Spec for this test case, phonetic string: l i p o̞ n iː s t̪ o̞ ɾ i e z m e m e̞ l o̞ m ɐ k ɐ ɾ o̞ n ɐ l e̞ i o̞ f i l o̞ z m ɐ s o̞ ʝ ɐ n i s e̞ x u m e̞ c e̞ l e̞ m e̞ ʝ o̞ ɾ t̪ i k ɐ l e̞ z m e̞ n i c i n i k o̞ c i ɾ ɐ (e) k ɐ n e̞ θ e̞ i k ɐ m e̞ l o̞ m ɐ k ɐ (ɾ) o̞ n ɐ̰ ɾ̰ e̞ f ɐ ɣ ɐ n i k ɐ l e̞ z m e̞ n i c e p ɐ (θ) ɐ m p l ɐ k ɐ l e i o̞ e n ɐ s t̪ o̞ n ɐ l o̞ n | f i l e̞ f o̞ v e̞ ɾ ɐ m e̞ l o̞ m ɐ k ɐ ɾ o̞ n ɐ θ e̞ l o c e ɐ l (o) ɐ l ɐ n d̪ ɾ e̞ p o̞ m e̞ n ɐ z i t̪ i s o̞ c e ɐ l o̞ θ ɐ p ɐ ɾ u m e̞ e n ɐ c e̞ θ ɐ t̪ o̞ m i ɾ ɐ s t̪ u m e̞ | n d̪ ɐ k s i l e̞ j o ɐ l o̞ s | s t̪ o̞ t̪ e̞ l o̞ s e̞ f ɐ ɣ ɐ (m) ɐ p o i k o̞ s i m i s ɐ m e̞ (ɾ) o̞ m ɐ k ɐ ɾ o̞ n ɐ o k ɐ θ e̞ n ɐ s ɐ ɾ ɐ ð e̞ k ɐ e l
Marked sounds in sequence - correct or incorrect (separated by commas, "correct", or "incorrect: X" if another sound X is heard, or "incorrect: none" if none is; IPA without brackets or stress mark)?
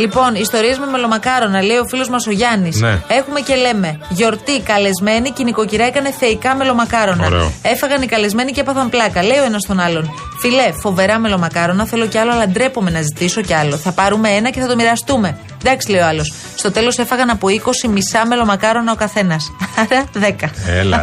correct, correct, correct, correct, incorrect: n, incorrect: l